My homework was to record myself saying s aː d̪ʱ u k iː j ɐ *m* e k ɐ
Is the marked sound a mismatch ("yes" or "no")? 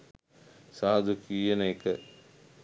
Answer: yes